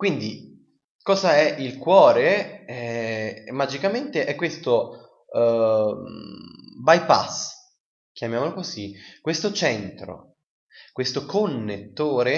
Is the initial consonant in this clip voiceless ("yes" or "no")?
yes